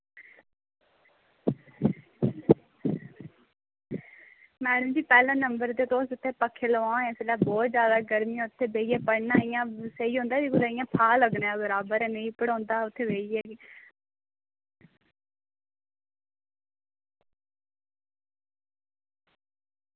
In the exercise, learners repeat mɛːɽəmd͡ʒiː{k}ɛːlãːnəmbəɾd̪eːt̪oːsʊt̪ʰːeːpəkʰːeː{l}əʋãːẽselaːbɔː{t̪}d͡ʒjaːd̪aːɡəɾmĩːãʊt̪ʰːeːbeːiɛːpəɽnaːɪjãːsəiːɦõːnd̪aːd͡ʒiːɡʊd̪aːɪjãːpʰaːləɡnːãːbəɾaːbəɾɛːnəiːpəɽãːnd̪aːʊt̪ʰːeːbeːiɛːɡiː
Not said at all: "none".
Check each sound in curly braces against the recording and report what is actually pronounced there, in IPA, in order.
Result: p, l, t̪

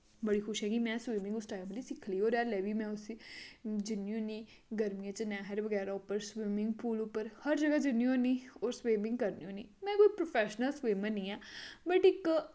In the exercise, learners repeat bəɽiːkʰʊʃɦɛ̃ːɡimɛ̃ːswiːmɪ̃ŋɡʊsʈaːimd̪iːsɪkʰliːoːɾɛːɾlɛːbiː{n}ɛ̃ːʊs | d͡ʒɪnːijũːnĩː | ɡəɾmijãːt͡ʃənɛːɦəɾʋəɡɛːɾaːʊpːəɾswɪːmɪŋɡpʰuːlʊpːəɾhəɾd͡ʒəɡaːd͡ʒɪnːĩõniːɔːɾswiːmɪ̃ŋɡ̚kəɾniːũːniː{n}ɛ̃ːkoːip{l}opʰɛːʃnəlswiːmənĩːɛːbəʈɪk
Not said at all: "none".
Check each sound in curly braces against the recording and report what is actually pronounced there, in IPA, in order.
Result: m, m, ɾ

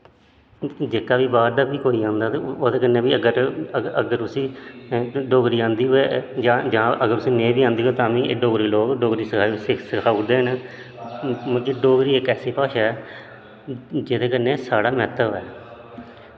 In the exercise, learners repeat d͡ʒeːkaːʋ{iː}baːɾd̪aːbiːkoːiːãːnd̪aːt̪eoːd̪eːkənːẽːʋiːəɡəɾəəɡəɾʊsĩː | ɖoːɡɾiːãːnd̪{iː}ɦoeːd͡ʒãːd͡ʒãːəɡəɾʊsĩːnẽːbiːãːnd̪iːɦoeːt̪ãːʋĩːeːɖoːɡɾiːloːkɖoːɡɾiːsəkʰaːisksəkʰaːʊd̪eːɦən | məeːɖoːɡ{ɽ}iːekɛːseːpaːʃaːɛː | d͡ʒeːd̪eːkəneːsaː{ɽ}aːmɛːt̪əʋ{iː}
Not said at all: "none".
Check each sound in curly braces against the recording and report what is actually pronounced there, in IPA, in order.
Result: iː, iː, ɾ, ɽ, ɛː

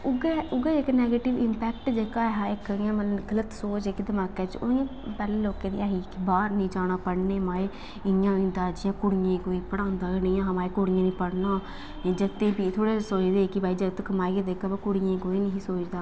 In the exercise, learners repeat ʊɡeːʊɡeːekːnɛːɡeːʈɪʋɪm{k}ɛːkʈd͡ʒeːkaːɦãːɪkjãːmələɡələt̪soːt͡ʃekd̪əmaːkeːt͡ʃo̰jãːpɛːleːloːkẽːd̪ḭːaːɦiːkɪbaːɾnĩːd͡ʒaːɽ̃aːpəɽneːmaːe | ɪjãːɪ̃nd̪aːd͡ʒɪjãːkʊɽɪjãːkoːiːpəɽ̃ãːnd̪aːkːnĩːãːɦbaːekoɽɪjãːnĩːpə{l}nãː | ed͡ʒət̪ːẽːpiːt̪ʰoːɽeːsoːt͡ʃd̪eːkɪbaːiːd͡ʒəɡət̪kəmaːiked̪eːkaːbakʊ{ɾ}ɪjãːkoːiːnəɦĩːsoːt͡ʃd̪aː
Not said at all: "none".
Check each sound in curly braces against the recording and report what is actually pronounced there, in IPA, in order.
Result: p, ɽ, ɽ

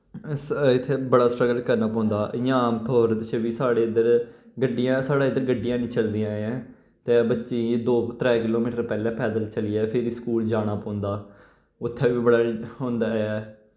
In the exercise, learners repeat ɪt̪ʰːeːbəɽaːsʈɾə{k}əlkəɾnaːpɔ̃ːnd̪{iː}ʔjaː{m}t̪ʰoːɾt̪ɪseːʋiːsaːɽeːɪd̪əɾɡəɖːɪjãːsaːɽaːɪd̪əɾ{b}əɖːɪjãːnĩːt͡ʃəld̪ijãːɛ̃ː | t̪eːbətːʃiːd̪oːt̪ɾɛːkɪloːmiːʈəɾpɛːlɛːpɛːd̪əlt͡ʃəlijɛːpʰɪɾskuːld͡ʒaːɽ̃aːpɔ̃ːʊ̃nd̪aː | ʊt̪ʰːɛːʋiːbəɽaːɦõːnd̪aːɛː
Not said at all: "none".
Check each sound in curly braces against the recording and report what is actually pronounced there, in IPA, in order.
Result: ɡ, aː, m, ɡ

